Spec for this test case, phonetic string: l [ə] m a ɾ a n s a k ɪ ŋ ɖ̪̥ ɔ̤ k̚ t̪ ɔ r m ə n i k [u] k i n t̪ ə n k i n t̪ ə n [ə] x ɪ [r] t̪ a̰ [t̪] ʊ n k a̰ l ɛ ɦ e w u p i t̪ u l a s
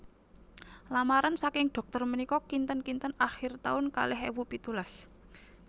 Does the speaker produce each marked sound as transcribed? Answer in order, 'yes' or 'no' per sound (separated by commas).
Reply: no, no, no, yes, no